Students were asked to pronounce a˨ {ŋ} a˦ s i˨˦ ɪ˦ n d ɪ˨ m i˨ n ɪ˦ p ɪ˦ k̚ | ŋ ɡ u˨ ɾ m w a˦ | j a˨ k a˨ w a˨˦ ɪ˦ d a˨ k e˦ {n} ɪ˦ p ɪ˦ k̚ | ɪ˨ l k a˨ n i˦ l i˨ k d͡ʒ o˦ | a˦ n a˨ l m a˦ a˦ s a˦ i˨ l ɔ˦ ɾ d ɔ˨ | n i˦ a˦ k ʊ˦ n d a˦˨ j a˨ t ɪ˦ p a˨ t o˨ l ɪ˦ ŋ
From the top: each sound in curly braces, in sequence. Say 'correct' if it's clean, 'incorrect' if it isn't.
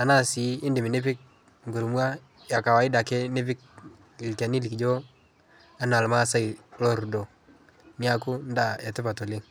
incorrect: n, correct

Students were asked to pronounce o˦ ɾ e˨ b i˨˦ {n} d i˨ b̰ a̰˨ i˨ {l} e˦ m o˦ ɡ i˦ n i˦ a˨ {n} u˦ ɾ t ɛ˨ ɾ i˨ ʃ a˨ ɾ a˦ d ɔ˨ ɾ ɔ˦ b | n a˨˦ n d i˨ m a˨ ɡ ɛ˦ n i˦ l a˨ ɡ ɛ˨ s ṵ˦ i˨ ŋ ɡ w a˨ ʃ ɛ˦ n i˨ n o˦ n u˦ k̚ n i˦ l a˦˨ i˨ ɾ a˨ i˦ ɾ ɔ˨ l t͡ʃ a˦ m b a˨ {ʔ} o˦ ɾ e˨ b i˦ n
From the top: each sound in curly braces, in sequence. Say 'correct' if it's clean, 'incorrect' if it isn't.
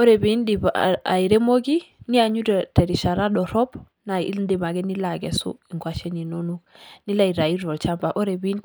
correct, incorrect: ɾ, incorrect: ɲ, correct

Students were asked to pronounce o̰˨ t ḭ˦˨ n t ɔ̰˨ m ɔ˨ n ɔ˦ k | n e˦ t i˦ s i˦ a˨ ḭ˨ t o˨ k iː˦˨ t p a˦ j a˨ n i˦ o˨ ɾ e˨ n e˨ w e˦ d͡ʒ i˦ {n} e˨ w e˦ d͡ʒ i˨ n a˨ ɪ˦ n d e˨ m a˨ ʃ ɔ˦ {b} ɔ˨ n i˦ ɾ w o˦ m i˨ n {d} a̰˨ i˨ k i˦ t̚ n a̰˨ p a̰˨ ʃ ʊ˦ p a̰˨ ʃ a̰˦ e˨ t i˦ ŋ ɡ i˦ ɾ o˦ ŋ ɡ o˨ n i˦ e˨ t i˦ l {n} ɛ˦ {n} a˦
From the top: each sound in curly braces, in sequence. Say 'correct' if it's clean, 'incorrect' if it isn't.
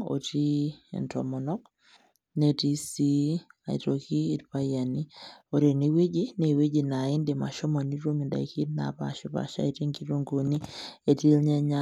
correct, incorrect: m, correct, incorrect: ɲ, incorrect: ɲ

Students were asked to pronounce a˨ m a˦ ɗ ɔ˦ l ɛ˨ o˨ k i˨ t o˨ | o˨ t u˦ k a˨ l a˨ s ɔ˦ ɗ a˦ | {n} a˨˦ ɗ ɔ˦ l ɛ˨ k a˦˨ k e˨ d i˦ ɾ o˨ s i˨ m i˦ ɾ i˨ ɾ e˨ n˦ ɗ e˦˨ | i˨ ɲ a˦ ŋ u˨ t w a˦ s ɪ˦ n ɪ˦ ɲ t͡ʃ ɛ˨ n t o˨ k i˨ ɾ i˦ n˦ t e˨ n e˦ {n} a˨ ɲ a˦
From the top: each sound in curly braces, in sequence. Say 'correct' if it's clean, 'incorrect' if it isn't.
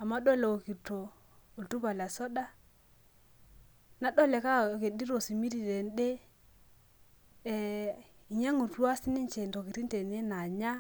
correct, correct

